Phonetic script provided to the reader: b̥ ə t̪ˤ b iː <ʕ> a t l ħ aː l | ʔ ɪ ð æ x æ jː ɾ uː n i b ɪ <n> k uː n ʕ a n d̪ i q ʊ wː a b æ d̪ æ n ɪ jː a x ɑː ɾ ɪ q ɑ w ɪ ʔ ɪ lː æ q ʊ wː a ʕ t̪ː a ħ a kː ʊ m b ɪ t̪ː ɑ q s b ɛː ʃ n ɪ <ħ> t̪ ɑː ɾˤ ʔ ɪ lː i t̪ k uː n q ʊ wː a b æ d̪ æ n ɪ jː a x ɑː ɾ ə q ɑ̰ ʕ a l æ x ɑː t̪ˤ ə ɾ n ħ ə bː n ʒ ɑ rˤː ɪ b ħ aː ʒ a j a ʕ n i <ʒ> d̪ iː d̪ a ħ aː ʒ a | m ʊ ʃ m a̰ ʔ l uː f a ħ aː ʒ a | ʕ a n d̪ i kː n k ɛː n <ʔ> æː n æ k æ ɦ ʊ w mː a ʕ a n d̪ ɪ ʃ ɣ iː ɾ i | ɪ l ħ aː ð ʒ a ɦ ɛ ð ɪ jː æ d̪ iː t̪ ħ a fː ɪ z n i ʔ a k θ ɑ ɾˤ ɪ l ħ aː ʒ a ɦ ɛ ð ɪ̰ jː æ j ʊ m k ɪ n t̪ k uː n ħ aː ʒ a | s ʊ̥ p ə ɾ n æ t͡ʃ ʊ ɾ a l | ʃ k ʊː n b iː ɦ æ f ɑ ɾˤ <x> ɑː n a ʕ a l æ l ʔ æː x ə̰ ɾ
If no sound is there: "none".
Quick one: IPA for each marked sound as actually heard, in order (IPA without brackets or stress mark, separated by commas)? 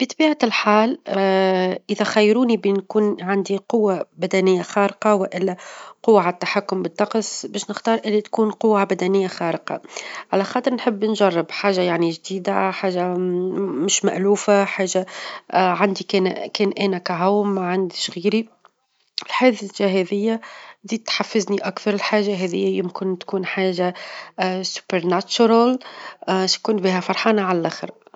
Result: ʕ, n, x, ʒ, ʔ, ħ